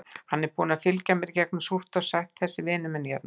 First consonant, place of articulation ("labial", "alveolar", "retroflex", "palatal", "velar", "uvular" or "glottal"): glottal